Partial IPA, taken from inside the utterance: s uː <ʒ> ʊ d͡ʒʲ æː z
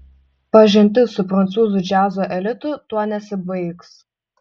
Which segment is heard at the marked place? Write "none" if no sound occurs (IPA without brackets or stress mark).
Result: z